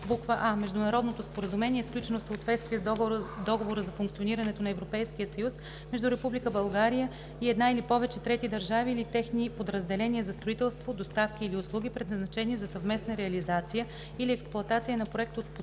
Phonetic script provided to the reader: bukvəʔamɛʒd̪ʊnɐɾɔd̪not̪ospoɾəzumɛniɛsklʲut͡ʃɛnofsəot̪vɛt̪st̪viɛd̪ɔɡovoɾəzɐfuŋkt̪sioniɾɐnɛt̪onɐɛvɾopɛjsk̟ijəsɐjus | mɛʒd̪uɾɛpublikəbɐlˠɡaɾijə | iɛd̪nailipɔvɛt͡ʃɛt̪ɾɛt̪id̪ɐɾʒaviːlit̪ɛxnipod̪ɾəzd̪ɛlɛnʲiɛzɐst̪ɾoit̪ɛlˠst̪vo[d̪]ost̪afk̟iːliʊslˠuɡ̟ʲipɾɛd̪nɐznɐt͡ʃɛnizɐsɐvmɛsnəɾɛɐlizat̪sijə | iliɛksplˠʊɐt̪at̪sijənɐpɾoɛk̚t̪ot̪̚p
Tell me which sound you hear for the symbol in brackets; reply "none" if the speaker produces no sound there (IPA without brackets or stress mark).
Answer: d̪